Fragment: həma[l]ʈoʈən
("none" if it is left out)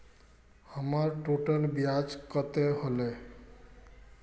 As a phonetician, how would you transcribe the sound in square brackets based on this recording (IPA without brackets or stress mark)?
ɾ